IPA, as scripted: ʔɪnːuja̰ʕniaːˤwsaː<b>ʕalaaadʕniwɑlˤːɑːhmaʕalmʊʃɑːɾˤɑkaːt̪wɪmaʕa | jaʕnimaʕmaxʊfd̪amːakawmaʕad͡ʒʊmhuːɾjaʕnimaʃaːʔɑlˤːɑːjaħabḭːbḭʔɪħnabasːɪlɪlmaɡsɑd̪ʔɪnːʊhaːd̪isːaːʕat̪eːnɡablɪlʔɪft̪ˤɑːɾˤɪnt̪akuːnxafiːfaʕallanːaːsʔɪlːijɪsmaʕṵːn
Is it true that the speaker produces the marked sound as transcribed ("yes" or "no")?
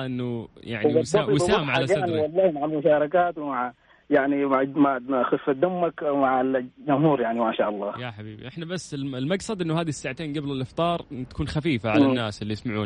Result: no